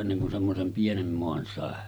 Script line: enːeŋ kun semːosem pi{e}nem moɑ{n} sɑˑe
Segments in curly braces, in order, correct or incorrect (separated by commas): correct, correct